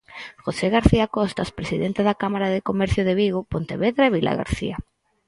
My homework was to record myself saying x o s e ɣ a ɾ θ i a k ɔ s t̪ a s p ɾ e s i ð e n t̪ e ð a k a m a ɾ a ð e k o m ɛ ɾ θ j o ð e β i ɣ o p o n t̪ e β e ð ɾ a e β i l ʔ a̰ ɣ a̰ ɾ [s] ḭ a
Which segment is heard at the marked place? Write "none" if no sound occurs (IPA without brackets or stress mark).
θ